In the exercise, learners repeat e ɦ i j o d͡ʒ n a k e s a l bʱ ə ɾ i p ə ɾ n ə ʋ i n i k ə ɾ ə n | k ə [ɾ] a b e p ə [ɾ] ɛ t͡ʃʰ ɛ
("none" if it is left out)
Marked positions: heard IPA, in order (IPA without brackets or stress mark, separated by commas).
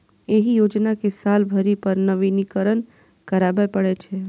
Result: ɾ, ɽ